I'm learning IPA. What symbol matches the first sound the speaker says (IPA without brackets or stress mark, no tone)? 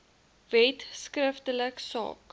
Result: v